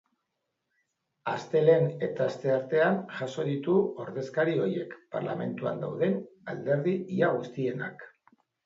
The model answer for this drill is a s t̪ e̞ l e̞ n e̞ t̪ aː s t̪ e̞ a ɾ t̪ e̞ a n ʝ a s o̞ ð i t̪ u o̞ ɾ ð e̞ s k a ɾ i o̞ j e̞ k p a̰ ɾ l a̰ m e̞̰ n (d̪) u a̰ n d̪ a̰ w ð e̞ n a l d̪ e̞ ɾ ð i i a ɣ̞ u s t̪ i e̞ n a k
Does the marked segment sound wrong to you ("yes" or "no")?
yes